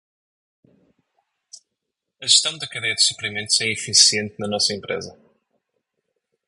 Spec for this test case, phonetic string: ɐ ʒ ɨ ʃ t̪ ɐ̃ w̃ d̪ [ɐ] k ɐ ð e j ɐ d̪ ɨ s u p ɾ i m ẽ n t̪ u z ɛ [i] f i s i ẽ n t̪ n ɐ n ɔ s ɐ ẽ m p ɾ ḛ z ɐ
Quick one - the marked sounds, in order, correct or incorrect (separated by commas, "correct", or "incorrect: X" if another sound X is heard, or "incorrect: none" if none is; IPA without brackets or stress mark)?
correct, correct